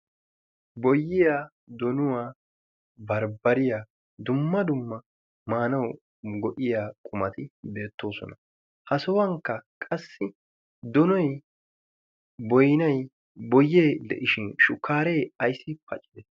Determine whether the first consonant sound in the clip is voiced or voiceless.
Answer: voiced